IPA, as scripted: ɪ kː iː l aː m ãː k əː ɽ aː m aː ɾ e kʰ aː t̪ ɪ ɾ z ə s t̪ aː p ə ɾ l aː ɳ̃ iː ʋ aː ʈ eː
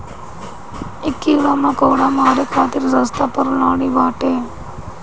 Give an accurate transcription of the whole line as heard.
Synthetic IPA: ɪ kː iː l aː m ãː k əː ɽ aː m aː ɾ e kʰ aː t̪ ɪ ɾ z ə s t̪ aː p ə ɾ l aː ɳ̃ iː ʋ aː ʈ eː